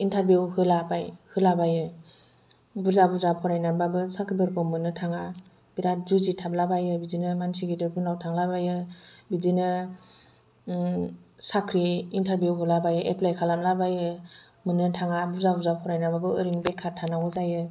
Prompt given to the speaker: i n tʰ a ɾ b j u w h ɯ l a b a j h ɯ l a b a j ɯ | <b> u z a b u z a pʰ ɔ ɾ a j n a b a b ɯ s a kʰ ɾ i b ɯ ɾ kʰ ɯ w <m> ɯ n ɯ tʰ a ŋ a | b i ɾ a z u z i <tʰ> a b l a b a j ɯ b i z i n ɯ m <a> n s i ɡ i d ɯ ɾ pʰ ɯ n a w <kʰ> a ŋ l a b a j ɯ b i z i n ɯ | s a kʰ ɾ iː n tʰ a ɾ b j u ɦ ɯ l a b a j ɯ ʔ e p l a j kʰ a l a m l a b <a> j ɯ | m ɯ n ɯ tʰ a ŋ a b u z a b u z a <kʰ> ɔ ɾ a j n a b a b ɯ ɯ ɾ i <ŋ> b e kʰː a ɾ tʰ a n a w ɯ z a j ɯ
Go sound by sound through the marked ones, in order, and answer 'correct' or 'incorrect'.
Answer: correct, correct, correct, correct, incorrect: tʰ, correct, incorrect: pʰ, correct

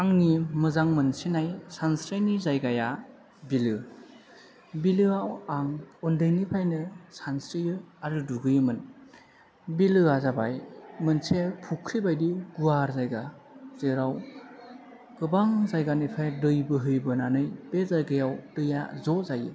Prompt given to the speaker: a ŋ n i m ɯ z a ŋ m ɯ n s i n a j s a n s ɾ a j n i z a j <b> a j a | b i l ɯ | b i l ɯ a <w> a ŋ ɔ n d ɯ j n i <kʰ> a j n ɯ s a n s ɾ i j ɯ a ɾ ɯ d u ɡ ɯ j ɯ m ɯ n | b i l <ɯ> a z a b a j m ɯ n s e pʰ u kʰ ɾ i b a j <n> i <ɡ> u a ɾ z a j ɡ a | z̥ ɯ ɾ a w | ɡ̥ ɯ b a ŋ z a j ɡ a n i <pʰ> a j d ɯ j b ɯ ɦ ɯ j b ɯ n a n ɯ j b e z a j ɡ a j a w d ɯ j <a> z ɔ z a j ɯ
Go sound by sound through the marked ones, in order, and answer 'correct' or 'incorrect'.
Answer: incorrect: ɡ, correct, incorrect: pʰ, correct, incorrect: d, correct, correct, correct

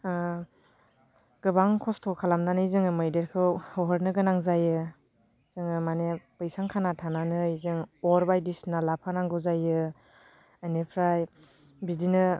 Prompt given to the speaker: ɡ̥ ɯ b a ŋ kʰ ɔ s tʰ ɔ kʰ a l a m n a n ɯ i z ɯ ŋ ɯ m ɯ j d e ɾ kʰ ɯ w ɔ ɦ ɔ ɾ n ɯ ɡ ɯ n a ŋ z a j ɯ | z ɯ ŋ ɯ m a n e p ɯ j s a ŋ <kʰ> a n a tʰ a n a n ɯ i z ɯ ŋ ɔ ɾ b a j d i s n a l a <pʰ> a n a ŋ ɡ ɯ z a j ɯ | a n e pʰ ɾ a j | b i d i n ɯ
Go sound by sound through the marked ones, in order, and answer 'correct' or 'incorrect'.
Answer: correct, correct

